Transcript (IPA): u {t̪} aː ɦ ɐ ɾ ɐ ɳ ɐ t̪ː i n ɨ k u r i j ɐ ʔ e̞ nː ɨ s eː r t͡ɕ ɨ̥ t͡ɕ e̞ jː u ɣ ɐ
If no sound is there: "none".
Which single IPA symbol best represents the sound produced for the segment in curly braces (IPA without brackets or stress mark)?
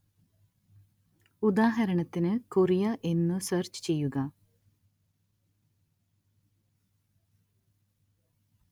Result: d̪